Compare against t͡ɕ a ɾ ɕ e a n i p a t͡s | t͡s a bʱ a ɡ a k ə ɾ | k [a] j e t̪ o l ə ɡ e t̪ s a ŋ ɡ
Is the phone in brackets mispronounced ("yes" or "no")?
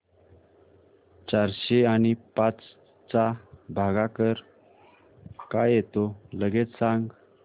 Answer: no